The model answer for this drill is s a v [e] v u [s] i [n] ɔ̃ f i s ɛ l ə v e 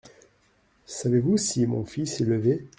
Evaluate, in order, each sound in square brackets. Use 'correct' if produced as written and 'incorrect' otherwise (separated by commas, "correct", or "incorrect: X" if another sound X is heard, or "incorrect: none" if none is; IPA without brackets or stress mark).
correct, correct, incorrect: m